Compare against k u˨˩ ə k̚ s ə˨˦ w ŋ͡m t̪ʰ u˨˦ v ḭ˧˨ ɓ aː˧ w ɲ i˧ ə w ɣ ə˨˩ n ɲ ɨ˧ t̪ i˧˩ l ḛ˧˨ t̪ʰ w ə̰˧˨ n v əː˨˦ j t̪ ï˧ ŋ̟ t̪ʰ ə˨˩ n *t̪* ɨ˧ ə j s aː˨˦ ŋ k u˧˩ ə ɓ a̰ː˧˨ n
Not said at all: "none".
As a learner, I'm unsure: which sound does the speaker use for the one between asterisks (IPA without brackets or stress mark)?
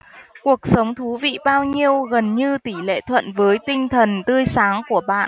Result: t̪